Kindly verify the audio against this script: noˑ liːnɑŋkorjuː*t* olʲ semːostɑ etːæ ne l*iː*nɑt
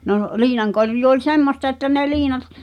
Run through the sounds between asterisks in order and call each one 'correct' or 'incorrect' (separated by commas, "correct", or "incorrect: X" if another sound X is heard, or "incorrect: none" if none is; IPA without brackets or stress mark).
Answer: incorrect: none, correct